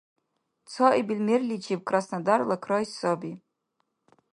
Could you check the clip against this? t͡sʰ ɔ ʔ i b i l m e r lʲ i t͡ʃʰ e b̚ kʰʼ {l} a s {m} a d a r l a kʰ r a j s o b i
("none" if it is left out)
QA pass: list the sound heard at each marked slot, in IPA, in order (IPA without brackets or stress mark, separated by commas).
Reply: r, n